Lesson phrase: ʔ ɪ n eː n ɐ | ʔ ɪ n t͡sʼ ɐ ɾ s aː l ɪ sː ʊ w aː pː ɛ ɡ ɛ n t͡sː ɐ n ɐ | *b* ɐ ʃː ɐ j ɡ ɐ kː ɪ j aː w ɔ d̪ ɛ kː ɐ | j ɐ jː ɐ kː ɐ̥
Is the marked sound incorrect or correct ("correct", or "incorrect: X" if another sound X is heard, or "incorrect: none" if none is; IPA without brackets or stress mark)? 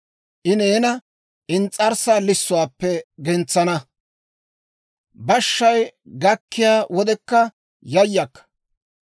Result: correct